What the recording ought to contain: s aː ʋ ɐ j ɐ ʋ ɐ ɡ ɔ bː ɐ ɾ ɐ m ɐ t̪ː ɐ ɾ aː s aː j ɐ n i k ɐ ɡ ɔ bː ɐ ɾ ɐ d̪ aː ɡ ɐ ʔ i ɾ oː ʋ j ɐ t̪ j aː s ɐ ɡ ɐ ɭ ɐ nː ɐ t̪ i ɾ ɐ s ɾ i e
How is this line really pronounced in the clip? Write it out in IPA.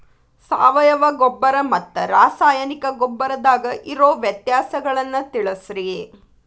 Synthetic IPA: s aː ʋ ɐ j ɐ ʋ ɐ ɡ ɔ bː ɐ ɾ ɐ m ɐ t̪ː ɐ ɾ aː s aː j ɐ n i k ɐ ɡ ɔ bː ɐ ɾ ɐ d̪ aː ɡ ɐ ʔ i ɾ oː ʋ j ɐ t̪ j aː s ɐ ɡ ɐ ɭ ɐ nː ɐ t̪ i ɭ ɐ s ɾ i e